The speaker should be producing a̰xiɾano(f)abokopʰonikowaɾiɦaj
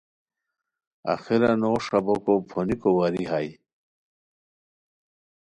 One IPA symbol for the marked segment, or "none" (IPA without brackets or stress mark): ʂ